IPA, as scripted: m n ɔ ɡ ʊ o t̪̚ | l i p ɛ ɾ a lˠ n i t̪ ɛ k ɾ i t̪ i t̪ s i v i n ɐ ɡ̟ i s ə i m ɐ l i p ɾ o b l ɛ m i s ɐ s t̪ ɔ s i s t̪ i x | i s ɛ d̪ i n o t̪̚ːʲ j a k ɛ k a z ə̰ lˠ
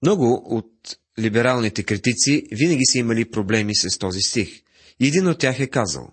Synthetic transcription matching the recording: m n ɔ ɡ ʊ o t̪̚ | l i b ɛ ɾ a lˠ n i t̪ ɛ k ɾ i t̪ i t̪ s i v i n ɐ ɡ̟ i s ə i m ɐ l i p ɾ o b l ɛ m i s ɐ s t̪ ɔ z i s t̪ i x | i ɛ d̪ i n o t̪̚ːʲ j a x ɛ k a z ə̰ lˠ